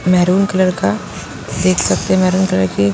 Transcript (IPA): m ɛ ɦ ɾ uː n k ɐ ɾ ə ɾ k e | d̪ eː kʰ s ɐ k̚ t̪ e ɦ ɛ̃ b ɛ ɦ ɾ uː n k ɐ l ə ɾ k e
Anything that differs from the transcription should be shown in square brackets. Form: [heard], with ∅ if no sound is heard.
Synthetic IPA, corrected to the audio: m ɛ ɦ ɾ uː n k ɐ [l] ə ɾ k [a] | d̪ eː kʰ s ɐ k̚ t̪ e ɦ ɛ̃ [m] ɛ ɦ ɾ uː n k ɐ l ə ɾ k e